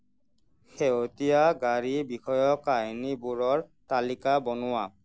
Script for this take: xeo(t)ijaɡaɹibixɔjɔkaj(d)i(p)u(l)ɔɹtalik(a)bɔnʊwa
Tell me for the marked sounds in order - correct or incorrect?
correct, incorrect: n, incorrect: b, incorrect: ɹ, correct

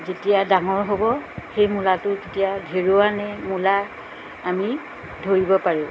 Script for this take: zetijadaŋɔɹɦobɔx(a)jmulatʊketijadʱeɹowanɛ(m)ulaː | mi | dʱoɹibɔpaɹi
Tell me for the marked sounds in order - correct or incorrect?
incorrect: e, correct

